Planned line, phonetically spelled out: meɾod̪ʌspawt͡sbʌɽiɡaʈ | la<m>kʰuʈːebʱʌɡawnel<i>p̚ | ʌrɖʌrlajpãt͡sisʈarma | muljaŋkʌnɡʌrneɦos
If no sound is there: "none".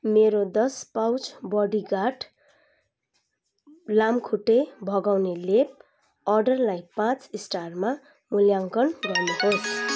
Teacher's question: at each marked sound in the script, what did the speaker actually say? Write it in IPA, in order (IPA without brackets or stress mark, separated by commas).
m, e